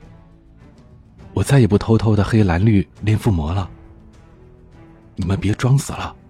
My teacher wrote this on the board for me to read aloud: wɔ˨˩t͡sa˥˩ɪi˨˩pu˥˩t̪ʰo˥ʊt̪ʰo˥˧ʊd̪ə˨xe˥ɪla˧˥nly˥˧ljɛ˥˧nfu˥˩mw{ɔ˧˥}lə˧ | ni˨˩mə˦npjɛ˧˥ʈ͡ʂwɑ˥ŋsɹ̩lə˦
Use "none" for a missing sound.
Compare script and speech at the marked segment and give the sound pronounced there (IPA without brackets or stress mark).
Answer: ɔ˧˥